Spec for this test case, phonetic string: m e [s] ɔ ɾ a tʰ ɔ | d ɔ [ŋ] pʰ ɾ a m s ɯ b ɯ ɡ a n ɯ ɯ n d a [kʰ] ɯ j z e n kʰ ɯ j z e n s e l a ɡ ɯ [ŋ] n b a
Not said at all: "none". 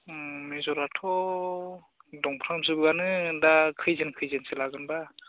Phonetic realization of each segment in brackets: z, ŋ, kʰ, none

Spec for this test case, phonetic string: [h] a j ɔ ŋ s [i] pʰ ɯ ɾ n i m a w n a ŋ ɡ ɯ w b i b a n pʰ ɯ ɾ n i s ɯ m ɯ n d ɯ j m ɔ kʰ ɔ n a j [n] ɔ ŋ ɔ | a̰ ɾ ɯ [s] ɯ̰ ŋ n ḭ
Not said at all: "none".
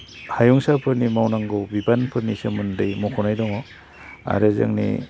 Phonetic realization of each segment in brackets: h, a, d, z

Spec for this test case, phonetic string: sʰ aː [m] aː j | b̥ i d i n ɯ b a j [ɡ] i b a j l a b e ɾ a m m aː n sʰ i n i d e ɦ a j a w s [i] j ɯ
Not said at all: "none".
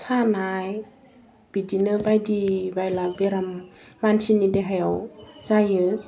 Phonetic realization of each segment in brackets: n, d, a

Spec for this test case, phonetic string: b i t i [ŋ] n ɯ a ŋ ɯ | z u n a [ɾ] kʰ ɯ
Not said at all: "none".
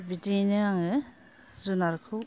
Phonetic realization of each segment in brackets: none, ɾ

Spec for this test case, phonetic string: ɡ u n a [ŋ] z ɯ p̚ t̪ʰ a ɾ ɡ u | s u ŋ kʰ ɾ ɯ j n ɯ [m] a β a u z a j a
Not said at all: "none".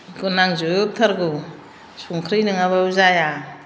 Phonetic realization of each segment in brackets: ŋ, ŋ

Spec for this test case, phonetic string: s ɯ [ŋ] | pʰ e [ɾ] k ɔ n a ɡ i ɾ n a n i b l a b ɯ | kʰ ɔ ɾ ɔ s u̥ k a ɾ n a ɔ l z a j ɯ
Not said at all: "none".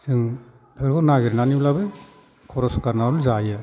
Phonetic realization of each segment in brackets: ŋ, ɾ

